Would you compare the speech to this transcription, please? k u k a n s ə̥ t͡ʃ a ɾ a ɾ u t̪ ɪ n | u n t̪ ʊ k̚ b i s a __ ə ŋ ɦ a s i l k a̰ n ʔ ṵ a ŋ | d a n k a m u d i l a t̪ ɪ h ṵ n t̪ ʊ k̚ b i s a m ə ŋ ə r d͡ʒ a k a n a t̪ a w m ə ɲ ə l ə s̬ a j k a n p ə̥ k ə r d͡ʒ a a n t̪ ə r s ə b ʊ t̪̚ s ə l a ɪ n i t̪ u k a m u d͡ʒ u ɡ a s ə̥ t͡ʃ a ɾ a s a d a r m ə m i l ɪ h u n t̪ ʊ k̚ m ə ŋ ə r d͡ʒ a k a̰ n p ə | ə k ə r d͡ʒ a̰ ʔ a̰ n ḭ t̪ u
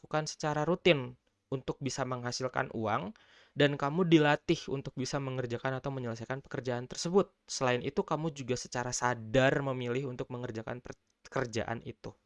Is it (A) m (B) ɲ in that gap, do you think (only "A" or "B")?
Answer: A